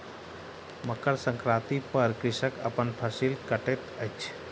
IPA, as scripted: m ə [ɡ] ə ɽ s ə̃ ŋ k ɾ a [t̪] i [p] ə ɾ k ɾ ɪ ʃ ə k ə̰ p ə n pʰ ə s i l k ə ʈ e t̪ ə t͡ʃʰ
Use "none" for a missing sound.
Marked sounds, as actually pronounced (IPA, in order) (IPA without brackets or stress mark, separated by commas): k, t̪, p